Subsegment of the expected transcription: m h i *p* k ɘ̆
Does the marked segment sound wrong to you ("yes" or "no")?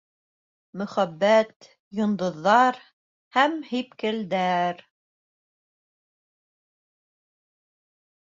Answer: no